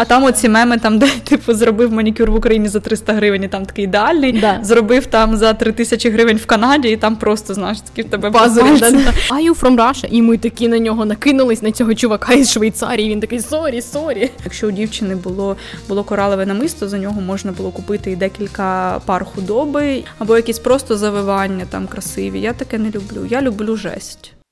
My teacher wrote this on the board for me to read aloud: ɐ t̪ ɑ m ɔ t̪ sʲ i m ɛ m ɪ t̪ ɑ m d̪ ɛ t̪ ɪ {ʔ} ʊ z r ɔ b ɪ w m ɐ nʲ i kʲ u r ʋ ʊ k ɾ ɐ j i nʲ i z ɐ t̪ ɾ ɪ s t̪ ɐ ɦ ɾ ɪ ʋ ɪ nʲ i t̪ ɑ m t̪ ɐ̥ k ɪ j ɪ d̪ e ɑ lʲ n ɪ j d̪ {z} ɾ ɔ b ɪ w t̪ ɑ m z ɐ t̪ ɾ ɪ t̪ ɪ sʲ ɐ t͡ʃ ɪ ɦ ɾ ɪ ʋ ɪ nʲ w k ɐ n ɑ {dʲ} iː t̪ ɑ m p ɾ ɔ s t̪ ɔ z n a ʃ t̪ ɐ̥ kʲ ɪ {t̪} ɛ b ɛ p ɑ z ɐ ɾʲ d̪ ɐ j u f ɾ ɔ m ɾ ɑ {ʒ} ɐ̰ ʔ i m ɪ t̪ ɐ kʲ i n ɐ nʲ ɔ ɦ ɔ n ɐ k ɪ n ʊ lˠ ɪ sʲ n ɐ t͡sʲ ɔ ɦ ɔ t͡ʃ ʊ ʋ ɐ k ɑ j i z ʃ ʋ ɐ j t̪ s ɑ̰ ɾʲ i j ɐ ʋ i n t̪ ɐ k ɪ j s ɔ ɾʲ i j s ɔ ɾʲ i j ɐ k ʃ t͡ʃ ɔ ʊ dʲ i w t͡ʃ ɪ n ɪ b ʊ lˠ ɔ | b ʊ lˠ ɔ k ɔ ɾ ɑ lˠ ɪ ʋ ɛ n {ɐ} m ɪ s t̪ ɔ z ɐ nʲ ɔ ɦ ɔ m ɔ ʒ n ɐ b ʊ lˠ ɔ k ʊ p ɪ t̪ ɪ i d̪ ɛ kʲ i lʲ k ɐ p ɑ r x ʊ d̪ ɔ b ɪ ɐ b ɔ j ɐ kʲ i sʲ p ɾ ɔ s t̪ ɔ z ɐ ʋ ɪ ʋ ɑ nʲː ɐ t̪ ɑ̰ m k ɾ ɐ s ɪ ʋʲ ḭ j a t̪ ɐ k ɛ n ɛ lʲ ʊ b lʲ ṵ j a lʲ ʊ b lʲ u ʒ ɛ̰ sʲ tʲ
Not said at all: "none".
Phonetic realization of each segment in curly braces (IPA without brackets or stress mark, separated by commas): p, z, dʲ, t̪, ʃ, ɐ